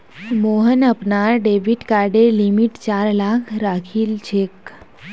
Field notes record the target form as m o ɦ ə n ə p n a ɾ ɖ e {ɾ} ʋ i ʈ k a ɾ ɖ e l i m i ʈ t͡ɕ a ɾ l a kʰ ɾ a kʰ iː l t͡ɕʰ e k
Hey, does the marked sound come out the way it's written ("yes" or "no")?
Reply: no